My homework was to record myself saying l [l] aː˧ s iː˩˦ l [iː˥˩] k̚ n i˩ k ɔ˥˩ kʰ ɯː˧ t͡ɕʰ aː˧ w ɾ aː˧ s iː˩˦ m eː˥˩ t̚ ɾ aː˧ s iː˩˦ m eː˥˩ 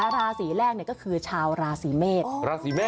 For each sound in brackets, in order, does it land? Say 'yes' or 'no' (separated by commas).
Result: no, no